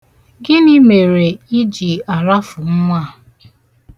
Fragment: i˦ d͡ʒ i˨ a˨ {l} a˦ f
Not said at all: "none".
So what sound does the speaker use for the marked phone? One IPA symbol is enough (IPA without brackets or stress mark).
ɾ